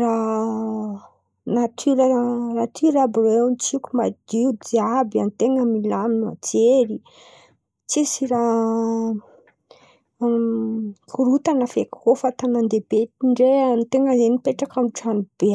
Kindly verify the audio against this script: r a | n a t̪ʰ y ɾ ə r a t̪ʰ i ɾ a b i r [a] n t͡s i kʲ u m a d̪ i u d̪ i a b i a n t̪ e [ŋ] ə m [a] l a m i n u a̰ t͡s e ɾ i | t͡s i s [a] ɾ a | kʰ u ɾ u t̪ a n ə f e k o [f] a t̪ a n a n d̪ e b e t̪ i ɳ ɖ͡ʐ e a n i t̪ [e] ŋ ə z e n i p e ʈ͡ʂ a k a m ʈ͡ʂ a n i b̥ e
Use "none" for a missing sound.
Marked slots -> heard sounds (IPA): e, ŋ, i, i, f, e

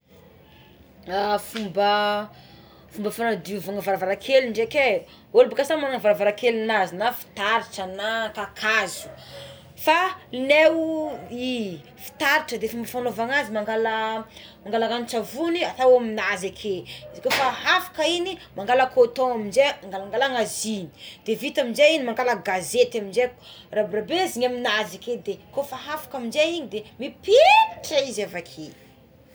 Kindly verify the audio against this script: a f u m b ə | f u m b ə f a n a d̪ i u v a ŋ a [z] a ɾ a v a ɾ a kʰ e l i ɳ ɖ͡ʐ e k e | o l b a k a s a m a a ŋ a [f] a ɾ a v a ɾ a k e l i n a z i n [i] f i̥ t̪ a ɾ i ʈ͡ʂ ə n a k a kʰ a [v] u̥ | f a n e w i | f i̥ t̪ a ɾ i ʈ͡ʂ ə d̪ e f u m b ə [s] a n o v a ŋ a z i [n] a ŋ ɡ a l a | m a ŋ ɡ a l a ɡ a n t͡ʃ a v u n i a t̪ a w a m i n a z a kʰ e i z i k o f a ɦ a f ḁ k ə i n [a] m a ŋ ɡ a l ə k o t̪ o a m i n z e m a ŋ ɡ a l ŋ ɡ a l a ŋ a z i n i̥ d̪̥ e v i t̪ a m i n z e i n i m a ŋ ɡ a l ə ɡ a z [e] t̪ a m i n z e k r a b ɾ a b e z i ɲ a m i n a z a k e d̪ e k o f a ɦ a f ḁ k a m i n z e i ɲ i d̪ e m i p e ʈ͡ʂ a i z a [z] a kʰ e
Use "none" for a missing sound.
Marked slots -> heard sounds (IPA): v, v, a, z, f, m, i, e, v

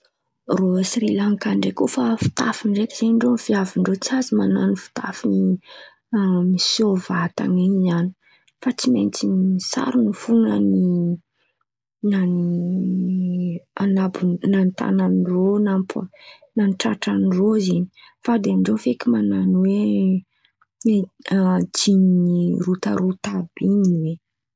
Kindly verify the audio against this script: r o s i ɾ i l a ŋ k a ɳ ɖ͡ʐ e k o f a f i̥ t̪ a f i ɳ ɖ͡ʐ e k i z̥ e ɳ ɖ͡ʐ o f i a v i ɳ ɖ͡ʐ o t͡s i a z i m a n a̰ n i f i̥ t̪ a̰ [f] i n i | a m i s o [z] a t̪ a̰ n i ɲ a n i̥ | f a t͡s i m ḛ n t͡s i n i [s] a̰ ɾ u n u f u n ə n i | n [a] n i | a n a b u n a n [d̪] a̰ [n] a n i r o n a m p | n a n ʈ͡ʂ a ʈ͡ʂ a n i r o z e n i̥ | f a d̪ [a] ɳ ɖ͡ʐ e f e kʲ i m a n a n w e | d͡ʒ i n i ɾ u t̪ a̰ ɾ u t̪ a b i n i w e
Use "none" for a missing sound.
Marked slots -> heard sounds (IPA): f, v, s, a, t̪, n, e

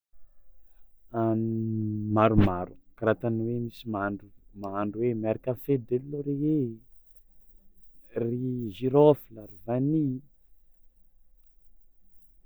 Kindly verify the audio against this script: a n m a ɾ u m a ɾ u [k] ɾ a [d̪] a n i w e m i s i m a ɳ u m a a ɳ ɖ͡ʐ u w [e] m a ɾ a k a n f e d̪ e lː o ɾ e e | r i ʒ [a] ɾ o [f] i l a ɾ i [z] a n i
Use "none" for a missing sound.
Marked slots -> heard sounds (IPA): k, t̪, e, i, f, v

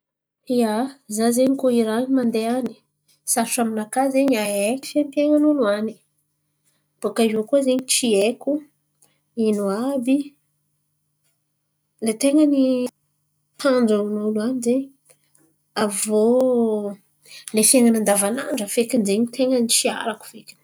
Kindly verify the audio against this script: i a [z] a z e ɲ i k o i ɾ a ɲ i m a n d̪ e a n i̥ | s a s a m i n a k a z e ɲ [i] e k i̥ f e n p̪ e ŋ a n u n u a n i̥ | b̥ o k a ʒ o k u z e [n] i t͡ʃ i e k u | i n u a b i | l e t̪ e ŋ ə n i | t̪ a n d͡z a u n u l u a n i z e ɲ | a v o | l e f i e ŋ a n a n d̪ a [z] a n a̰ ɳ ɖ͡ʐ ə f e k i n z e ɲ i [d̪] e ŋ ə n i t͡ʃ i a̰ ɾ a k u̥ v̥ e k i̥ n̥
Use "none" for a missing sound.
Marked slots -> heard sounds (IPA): z, a, ɲ, v, t̪

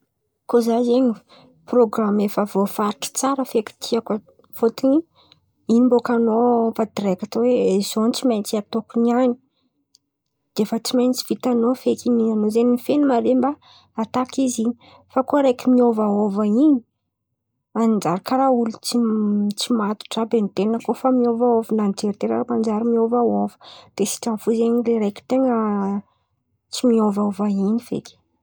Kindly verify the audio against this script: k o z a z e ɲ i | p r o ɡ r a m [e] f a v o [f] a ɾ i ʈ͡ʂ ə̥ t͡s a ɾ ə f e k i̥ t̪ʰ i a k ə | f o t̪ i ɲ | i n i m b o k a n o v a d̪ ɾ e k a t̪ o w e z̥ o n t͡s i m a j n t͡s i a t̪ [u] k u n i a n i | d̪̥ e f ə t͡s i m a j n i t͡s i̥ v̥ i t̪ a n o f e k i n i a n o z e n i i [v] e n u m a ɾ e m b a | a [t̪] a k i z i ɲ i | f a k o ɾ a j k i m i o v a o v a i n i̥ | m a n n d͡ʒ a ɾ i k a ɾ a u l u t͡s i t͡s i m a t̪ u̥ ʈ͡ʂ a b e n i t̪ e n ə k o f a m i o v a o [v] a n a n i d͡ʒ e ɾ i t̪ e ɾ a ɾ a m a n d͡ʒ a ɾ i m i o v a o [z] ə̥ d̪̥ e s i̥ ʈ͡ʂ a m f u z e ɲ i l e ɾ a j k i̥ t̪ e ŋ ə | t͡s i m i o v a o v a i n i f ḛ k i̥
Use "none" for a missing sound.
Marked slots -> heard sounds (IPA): e, f, o, f, t̪, v, v

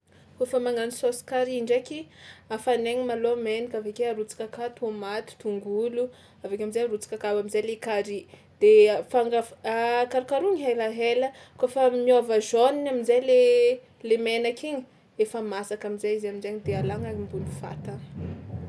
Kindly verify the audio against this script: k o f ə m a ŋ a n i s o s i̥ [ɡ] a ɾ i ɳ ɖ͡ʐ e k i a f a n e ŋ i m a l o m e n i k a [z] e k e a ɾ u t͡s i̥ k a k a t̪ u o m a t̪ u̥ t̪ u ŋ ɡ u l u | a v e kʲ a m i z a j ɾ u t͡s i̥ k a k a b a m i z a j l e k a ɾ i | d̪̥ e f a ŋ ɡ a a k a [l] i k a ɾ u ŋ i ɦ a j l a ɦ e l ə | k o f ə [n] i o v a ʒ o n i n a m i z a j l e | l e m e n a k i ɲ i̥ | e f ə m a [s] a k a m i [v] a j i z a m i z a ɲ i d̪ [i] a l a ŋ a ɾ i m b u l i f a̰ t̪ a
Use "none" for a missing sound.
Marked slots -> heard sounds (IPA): k, v, ɾ, m, s, z, e

